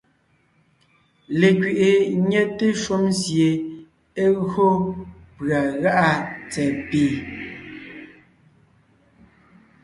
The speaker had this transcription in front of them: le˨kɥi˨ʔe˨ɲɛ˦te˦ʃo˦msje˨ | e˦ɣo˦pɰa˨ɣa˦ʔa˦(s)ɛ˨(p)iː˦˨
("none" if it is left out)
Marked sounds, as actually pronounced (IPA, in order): t͡s, p

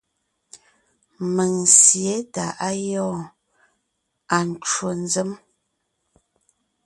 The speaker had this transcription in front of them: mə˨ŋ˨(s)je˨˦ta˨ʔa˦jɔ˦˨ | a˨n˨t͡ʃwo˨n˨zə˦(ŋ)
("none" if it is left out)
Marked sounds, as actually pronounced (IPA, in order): s, m

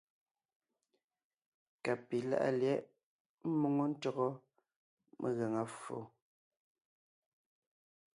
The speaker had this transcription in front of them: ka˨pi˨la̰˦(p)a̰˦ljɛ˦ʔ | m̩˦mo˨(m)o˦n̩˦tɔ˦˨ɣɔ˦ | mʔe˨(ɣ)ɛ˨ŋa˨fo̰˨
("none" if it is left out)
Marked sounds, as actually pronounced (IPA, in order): ʔ, ŋ, ɣ

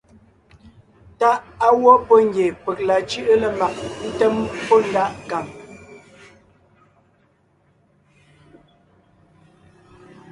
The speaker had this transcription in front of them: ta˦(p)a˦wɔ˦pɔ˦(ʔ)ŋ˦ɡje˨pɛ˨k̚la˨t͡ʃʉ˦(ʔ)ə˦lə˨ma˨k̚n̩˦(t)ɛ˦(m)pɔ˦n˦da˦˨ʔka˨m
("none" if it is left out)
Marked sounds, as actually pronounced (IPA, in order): ʔ, none, ʔ, t, m

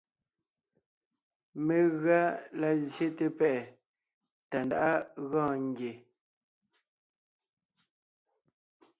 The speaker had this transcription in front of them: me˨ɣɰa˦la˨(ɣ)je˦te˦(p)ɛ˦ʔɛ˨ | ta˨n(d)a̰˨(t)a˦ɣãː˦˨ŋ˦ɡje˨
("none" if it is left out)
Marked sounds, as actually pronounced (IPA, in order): z, p, d, ʔ

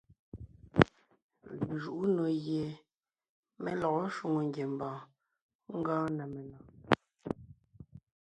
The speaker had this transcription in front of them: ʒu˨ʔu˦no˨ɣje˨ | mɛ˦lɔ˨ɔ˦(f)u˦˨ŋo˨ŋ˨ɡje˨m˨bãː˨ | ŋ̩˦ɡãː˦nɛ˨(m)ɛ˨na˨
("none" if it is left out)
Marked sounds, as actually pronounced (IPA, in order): ʃ, m

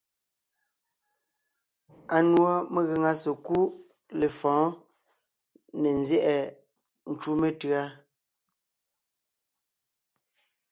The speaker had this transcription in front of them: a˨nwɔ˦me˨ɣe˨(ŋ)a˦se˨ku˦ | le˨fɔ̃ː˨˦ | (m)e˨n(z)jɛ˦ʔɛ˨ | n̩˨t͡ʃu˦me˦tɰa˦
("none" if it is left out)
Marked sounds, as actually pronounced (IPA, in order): ŋ, n, z

